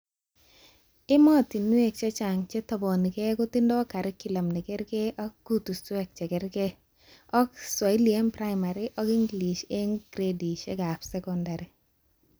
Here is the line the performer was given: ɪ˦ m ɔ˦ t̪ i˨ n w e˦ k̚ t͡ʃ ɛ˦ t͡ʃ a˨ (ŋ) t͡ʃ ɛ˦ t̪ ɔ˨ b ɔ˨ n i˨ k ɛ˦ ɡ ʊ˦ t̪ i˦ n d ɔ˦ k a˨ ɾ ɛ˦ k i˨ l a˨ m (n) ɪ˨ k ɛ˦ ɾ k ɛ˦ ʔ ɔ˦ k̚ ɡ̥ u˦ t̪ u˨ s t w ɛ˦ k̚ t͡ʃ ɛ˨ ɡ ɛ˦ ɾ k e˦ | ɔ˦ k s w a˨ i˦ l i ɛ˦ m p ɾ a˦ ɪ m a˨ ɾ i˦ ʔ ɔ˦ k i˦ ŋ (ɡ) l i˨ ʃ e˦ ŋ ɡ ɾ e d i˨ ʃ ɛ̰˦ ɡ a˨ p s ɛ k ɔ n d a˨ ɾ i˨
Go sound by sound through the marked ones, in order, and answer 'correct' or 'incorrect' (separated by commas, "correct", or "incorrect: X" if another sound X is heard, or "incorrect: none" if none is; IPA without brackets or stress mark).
correct, correct, correct